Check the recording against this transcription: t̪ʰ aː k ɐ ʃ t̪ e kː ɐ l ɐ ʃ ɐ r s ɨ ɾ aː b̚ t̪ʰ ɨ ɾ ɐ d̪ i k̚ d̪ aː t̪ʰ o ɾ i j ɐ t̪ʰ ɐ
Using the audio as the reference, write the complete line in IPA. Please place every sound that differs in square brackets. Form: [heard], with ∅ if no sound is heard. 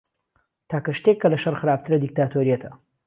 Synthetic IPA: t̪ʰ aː k ɐ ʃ t̪ e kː ɐ l ɐ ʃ ɐ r [x] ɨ ɾ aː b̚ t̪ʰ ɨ ɾ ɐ d̪ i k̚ [t̪] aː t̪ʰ o ɾ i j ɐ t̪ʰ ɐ